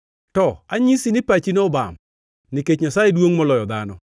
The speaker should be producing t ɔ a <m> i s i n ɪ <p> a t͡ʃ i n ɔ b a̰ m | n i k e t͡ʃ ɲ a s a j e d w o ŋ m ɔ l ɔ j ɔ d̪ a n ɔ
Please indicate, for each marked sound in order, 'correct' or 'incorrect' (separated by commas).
incorrect, correct